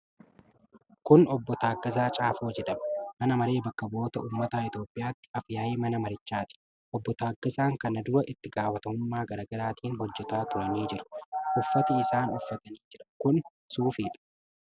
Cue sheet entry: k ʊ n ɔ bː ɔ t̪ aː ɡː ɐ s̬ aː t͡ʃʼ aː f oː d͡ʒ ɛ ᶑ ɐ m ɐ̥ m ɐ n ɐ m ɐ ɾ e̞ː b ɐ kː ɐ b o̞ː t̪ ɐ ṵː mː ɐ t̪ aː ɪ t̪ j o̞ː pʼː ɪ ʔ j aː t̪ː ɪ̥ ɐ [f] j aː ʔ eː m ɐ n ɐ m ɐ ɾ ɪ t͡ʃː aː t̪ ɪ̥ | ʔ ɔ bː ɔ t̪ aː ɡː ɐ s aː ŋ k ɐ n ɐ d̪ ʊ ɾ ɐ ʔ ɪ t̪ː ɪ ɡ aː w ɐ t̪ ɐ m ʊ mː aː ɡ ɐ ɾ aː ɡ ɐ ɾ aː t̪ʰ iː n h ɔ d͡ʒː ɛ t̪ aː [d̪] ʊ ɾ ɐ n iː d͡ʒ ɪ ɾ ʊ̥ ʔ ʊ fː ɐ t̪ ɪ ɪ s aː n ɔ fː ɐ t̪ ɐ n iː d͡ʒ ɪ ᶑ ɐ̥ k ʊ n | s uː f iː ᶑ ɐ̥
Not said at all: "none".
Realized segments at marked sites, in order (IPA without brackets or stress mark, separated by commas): f, t̪